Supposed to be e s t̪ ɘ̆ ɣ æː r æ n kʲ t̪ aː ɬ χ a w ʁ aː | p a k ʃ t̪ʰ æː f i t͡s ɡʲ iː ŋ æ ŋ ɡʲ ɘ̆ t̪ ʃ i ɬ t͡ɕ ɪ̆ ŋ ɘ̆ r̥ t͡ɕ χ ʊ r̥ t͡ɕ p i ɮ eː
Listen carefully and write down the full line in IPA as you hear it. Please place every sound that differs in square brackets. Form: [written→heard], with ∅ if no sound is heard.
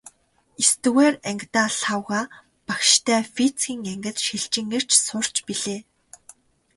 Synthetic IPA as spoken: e s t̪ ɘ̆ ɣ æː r æ [n→ŋ] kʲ t̪ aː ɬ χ a w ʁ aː | p a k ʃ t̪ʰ æː f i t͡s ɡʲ iː ŋ æ ŋ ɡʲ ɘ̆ t̪ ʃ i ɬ t͡ɕ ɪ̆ ŋ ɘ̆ r̥ t͡ɕ [χ→s] ʊ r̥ t͡ɕ p i ɮ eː